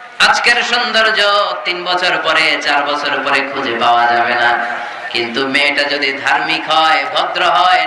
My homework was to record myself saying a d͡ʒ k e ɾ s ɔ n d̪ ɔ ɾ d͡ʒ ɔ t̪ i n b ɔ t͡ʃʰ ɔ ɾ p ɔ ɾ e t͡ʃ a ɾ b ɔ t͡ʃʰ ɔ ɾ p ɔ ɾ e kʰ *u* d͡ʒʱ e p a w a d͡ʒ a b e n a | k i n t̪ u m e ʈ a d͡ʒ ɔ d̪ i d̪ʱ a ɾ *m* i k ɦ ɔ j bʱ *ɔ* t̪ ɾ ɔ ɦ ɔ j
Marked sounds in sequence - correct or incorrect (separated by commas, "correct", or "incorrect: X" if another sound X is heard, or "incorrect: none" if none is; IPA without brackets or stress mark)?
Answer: correct, correct, correct